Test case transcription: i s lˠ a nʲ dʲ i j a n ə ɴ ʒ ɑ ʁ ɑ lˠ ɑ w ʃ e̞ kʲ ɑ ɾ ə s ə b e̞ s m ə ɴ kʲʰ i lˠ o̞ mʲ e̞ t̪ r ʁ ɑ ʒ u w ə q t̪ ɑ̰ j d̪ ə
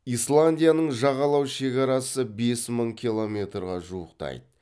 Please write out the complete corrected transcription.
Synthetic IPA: i s lˠ a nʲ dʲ i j a n ə ɴ ʒ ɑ ʁ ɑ lˠ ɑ w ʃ e̞ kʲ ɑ ɾ ɑ s ə b e̞ s m ə ɴ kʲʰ i lˠ o̞ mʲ e̞ t̪ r ʁ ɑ ʒ u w ə q t̪ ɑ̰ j d̪ ə

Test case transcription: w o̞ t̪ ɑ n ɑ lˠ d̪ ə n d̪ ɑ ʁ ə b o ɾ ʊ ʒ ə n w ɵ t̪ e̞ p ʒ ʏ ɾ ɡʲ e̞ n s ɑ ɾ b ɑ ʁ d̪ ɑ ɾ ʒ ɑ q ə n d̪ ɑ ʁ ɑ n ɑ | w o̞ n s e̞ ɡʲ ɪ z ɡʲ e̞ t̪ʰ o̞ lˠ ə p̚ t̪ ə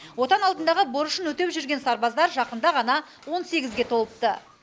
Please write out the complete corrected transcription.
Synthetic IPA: w o̞ t̪ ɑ n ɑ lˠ d̪ ə n d̪ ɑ ʁ ə b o ɾ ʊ ʃ ə n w ɵ t̪ e̞ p ʒ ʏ ɾ ɡʲ e̞ n s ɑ ɾ b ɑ z d̪ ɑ ɾ ʒ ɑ q ə n d̪ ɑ ʁ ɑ n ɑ | w o̞ n s e̞ ɡʲ ɪ z ɡʲ e̞ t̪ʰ o̞ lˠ ə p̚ t̪ ə

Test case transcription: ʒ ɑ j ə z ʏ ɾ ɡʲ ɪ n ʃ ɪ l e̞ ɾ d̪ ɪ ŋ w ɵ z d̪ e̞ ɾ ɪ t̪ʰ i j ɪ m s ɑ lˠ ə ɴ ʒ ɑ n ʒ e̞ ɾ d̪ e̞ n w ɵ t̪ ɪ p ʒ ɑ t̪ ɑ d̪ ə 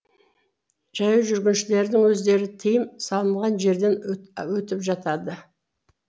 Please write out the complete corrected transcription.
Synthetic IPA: ʒ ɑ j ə ʒ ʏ ɾ ɡʲ ɪ n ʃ ɪ l e̞ ɾ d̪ ɪ ŋ w ɵ z d̪ e̞ ɾ ɪ t̪ʰ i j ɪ m s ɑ lˠ ə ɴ ʁ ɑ n ʒ e̞ ɾ d̪ e̞ n w ɵ t̪ ɪ p ʒ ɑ t̪ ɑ d̪ ə

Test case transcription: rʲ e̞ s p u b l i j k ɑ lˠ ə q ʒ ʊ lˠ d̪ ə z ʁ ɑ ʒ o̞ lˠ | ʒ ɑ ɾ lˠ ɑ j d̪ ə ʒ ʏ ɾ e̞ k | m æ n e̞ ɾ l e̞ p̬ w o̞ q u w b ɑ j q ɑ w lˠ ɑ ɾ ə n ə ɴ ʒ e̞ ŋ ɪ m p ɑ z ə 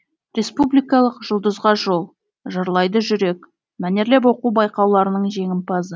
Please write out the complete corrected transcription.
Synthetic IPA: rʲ e̞ s p u b l i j k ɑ lˠ ə q ʒ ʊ lˠ d̪ ə z ʁ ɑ ʒ o̞ lˠ | ʒ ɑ ɾ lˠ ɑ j d̪ ə ʒ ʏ ɾ e̞ k | m æ n e̞ ɾ l e̞ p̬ w o̞ q u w b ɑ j q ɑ w lˠ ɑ ɾ ə n ə ɴ ʒ e̞ ŋ ɪ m p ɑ z ə

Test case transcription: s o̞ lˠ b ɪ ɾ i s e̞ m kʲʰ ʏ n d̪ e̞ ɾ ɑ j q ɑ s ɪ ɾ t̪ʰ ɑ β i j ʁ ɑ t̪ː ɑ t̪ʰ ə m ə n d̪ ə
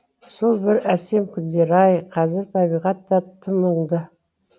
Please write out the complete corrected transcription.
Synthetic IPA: s o̞ lˠ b ɪ ɾ æ s e̞ m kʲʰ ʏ n d̪ e̞ ɾ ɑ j qʰ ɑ z ɪ ɾ t̪ʰ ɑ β i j ʁ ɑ t̪ː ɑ t̪ʰ ə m ə ɴ d̪ ə

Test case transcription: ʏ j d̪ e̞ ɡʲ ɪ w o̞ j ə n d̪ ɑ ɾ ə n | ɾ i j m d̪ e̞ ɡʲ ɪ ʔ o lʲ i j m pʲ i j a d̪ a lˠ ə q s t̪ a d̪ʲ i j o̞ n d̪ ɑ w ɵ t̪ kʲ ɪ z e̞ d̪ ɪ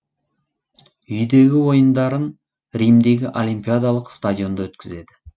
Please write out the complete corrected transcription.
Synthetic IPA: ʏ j d̪ e̞ ɡʲ ɪ w o̞ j ə n d̪ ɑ ɾ ə n | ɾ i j m d̪ e̞ ɡʲ ɪ ʔ o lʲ i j m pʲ i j a d̪ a lˠ ə q s t̪ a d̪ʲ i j o̞ n d̪ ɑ w ɵ t̪ kʲ ɪ z e̞ d̪ ɪ

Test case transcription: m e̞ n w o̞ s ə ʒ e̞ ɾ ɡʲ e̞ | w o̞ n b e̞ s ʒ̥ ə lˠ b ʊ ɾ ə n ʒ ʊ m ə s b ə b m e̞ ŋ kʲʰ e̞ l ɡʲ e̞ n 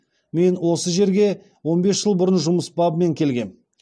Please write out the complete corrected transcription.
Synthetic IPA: m e̞ n w o̞ s ə ʒ e̞ ɾ ɡʲ e̞ | w o̞ n b e̞ s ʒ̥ ə lˠ b ʊ ɾ ə n ʒ ʊ m ə s b ɑ b m e̞ ŋ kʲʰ e̞ l ɡʲ e̞ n

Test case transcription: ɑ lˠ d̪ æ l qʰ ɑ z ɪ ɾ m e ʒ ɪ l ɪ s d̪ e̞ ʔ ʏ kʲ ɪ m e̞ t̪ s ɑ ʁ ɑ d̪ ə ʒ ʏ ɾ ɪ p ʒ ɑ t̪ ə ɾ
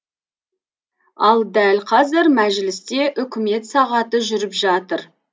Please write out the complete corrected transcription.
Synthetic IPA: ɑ lˠ d̪ æ l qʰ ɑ z ɪ ɾ m æ ʒ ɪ l ɪ s t̪ e̞ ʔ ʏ kʲ ɪ m e̞ t̪ s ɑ ʁ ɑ t̪ ə ʒ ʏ ɾ ɪ p ʒ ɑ t̪ ə ɾ

